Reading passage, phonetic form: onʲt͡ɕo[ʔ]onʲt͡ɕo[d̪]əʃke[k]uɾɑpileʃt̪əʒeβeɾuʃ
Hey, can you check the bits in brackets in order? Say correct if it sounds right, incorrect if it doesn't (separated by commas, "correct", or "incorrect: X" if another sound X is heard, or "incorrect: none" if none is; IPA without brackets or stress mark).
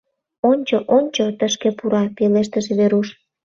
correct, incorrect: t̪, incorrect: p